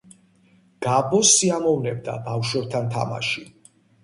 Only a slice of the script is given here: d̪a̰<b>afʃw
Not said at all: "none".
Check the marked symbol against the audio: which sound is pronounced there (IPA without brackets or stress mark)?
b